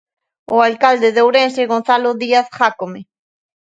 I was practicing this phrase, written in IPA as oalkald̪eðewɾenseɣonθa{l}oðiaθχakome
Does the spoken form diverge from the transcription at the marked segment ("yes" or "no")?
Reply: no